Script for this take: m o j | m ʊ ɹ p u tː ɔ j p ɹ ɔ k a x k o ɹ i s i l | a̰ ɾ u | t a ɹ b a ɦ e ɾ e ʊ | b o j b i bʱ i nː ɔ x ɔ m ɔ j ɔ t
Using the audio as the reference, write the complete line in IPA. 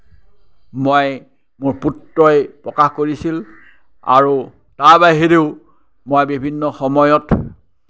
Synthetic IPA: m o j | m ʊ ɹ p u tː ɔ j p ɹ ɔ k a x k o ɹ i s i l | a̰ ɹ u | t a ɹ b a ɦ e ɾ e ʊ | m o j b i bʱ i nː ɔ x ɔ m ɔ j ɔ t

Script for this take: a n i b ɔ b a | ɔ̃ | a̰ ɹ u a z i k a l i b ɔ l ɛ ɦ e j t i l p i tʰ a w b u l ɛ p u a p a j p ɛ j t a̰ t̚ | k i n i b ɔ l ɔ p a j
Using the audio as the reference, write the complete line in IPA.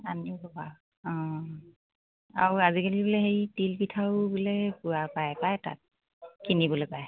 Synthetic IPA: a n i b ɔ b a | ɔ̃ | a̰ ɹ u a z i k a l i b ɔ l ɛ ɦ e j t i l p i tʰ a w b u l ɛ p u a p a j p a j t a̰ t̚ | k i n i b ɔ l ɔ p a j

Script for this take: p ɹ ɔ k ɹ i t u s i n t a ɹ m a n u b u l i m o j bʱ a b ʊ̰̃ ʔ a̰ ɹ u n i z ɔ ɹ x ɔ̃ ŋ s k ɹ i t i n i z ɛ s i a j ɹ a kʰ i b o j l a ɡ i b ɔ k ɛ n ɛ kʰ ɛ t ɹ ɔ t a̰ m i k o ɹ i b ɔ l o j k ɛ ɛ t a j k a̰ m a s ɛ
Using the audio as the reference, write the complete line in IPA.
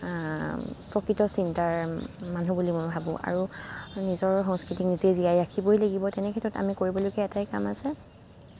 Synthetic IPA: p ɹ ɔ k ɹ i t ɔ s i n t a ɹ m a n u b u l i m o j bʱ a b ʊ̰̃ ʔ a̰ ɹ u n i z ɔ ɹ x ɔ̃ ŋ s k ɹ i t i n i z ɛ z i a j ɹ a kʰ i b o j l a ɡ i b ɔ t ɛ n ɛ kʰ ɛ t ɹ ɔ t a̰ m i k o ɹ i b ɔ l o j k ɛ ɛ t a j k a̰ m a s ɛ

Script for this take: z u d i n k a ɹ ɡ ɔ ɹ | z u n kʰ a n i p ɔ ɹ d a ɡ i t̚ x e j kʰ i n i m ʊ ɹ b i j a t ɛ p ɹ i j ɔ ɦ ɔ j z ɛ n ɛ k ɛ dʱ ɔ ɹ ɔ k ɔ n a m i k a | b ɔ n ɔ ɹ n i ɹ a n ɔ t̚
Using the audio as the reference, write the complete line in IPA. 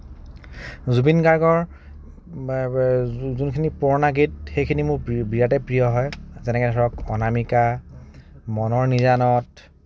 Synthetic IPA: z u b i n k a ɹ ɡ ɔ ɹ | z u n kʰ i n i p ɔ ɹ n a ɡ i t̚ x e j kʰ i n i m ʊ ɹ b i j a t ɛ p ɹ i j ɔ ɦ ɔ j z ɛ n ɛ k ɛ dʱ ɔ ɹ ɔ k ɔ n a m i k a | m ɔ n ɔ ɹ n i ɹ a n ɔ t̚

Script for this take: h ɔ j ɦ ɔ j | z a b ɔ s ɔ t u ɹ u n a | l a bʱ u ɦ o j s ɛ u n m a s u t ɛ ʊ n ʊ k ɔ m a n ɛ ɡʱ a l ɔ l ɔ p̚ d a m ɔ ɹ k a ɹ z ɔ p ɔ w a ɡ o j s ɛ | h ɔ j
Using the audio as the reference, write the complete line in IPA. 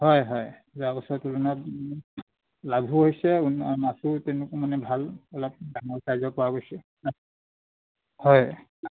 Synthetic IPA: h ɔ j ɦ ɔ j | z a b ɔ s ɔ t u l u n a | l a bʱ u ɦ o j s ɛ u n m a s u t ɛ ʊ n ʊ k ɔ m a n ɛ bʱ a l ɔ l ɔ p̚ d a ŋ ɔ ɹ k a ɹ z ɔ p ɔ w a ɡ o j s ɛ | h ɔ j

